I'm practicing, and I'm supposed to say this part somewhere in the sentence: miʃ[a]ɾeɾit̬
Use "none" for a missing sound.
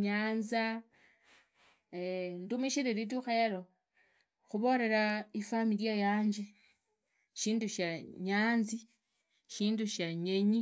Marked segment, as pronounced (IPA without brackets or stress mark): i